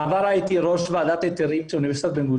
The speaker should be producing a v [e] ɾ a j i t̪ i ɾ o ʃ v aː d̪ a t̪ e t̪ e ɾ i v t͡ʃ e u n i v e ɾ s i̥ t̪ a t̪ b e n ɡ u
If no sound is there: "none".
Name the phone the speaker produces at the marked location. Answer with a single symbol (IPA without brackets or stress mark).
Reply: a